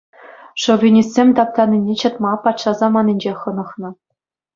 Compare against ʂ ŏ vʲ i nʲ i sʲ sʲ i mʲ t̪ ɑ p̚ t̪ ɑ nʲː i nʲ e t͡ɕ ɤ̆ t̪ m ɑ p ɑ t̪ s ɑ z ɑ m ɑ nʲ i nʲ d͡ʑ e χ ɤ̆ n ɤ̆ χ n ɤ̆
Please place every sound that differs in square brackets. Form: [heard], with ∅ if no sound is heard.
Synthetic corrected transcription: ʂ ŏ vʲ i nʲ i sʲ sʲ [e] mʲ t̪ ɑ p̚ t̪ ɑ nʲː i nʲ e t͡ɕ ɤ̆ t̪ m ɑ p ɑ t̪ [ʂ] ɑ z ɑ m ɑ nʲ i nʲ d͡ʑ e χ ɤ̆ n ɤ̆ χ n ɤ̆

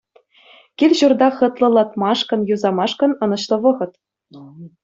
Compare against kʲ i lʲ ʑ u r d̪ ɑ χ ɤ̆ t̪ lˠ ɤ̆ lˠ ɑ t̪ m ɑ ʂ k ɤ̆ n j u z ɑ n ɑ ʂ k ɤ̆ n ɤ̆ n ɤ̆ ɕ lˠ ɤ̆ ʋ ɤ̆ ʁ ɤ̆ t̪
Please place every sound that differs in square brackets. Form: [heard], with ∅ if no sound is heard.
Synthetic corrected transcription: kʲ i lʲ ʑ u r d̪ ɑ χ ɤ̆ t̪ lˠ ɤ̆ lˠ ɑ t̪ m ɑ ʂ k ɤ̆ n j u z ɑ [m] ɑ ʂ k ɤ̆ n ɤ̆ n ɤ̆ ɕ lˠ ɤ̆ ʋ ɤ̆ ʁ ɤ̆ t̪

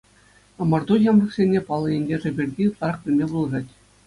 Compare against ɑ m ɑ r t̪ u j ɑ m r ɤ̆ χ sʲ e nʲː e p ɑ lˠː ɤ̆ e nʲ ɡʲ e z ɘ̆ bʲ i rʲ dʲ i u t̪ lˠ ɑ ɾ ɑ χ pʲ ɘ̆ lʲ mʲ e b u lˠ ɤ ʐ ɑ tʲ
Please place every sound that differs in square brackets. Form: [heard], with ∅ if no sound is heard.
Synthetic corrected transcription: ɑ m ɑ r [d̪] u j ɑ m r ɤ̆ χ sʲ e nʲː e p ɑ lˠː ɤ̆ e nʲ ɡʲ e [ʐ] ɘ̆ bʲ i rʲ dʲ i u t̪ lˠ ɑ ɾ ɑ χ pʲ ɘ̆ lʲ mʲ e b u lˠ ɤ ʐ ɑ tʲ

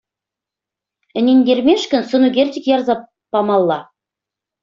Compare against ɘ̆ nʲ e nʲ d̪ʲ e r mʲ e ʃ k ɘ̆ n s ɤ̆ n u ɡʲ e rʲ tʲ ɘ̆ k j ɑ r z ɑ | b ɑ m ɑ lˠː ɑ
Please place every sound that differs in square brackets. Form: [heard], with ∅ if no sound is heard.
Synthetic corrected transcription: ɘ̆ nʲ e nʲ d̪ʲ e r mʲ e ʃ k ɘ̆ n s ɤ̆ n u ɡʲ e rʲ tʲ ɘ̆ k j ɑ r z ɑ | [p] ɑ m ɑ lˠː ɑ

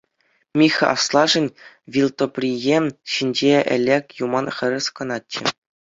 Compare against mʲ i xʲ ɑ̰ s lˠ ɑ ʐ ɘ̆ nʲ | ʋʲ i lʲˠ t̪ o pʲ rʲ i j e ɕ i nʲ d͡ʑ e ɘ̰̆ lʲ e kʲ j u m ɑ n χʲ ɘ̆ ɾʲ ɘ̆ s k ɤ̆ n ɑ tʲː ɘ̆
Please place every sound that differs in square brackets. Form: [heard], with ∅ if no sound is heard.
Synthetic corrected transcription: mʲ i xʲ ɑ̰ s lˠ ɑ ʐ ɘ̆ nʲ | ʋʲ i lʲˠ t̪ o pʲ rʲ i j e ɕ i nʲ d͡ʑ e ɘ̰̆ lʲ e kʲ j u m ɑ n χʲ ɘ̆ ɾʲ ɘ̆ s k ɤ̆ n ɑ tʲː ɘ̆

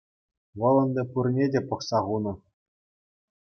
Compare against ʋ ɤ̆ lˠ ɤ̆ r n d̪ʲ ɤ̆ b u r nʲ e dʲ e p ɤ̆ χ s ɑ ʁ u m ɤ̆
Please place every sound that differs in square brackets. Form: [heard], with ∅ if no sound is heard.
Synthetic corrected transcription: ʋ ɤ̆ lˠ ɤ̆ [∅] n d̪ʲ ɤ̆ [p] u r nʲ e dʲ e p ɤ̆ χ s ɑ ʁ u [n] ɤ̆

